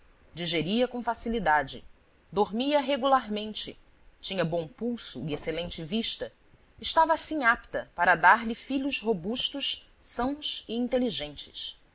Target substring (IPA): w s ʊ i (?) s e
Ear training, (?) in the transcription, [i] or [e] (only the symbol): e